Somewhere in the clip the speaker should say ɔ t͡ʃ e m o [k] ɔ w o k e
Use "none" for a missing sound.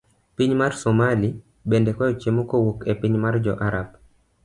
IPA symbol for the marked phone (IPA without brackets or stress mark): k